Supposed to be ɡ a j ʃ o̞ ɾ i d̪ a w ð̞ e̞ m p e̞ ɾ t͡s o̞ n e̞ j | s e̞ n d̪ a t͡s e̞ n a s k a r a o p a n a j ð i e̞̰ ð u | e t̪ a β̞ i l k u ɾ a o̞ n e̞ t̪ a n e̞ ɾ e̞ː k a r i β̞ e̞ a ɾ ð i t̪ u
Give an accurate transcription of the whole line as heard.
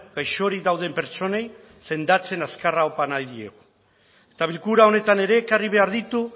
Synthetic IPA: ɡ a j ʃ o̞ ɾ i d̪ a w ð̞ e̞ m p e̞ ɾ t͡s o̞ n e̞ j | s e̞ n d̪ a t͡s e̞ n a s k a r a o p a n a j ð i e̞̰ ɣ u | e t̪ a β̞ i l k u ɾ a o̞ n e̞ t̪ a n e̞ ɾ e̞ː k a r i β̞ e̞ a ɾ ð i t̪ u